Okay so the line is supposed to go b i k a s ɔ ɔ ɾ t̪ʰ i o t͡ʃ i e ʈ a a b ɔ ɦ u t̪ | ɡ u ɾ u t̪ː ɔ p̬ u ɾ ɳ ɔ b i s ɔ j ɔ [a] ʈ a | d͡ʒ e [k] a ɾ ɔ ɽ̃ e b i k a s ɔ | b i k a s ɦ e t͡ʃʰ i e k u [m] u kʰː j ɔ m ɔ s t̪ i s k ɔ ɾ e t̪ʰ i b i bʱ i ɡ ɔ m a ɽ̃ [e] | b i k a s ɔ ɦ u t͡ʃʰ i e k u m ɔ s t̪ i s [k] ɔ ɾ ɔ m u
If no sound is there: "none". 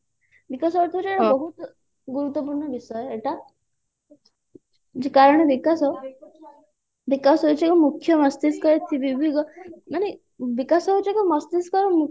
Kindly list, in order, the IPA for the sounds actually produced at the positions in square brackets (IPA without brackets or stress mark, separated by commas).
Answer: e, k, m, e, k